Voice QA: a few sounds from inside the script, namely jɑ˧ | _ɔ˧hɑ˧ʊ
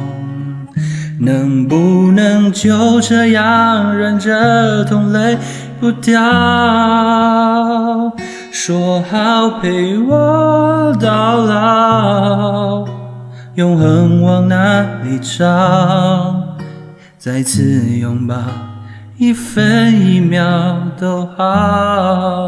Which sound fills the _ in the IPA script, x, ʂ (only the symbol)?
ʂ